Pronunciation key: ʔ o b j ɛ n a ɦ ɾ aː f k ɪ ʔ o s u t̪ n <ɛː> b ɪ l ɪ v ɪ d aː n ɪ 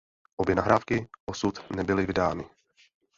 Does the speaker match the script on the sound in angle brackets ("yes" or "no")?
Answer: no